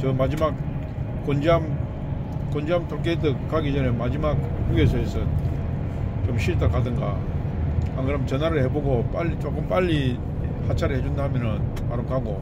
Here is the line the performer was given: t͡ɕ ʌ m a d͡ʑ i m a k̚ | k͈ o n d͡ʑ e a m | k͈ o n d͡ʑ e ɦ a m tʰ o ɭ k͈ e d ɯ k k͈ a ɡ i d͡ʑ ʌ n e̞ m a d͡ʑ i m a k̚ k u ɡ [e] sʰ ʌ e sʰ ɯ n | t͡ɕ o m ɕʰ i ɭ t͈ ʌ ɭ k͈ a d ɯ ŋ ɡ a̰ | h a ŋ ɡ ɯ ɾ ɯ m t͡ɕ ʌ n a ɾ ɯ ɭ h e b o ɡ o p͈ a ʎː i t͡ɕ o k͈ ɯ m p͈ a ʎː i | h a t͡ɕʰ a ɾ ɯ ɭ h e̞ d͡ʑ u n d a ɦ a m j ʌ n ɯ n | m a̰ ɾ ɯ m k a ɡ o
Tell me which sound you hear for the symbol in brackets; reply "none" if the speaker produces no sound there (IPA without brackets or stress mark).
e